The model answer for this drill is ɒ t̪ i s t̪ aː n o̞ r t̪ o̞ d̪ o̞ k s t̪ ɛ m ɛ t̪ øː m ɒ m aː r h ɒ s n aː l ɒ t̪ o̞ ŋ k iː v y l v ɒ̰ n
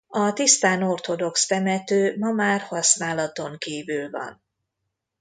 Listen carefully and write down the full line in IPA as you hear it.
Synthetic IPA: ɒ t̪ i s t̪ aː n o̞ r t̪ o̞ d̪ o̞ k s t̪ ɛ m ɛ t̪ øː m ɒ m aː r h ɒ s n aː l ɒ t̪ o̞ ŋ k iː v y l v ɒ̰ n